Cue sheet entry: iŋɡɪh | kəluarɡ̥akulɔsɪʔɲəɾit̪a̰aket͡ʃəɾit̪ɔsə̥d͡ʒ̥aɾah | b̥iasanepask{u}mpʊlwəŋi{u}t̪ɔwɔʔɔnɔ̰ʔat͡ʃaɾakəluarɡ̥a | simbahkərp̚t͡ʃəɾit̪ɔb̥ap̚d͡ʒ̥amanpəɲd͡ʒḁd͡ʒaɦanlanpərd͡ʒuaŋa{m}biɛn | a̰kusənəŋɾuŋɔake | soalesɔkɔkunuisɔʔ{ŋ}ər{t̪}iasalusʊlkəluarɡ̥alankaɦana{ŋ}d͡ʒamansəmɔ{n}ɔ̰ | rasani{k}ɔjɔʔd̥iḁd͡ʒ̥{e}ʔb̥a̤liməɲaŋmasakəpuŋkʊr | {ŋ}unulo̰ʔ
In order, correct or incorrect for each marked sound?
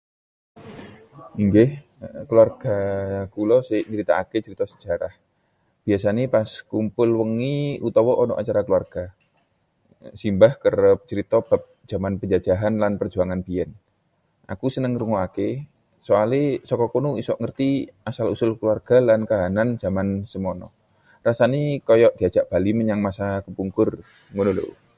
correct, correct, incorrect, correct, correct, incorrect, correct, correct, incorrect, correct

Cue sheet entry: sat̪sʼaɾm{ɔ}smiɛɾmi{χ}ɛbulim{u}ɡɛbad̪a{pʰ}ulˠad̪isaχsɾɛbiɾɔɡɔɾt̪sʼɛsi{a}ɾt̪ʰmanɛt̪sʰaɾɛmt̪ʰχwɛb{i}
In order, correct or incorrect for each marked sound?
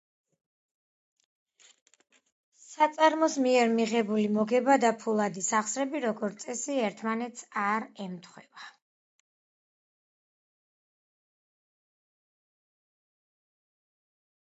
correct, incorrect, incorrect, correct, incorrect, incorrect

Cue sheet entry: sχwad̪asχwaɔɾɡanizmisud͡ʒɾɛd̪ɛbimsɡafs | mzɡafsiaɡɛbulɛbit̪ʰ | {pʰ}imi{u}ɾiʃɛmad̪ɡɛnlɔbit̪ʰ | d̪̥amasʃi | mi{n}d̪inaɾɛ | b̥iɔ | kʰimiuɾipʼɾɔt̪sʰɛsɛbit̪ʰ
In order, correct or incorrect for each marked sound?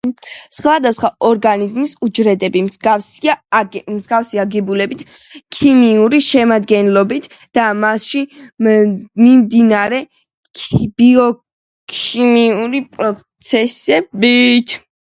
incorrect, correct, incorrect

